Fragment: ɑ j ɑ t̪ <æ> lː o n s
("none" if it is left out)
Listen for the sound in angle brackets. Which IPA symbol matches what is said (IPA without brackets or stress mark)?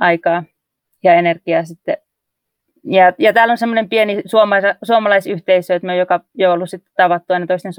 æː